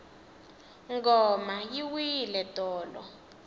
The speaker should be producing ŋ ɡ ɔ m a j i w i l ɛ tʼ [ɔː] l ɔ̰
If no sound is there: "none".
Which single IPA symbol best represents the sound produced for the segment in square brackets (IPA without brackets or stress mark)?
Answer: ɔː